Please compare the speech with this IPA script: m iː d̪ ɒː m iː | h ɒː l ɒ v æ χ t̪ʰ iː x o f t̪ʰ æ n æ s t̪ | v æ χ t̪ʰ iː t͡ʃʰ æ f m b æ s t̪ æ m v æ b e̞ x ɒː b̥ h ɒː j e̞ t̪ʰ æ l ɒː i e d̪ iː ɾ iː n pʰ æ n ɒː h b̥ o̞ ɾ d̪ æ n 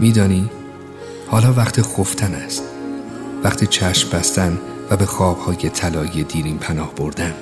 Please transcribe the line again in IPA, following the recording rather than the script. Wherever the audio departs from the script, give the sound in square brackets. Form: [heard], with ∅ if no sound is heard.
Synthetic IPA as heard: m iː d̪ ɒː [n] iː | h ɒː l [ɒː] v æ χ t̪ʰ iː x o f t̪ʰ æ n æ s t̪ | v æ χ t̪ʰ iː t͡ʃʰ æ [ʃ] m b æ s t̪ æ [n] v æ b e̞ x ɒː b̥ h ɒː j e̞ t̪ʰ æ l ɒː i e d̪ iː ɾ iː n pʰ æ n ɒː h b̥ o̞ ɾ d̪ æ n